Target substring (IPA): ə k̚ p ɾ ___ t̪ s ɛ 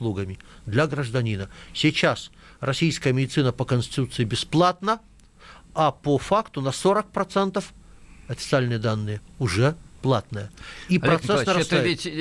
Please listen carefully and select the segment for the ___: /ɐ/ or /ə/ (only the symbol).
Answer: ɐ